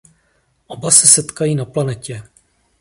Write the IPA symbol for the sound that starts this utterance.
ʔ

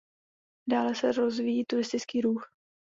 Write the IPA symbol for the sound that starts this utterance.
d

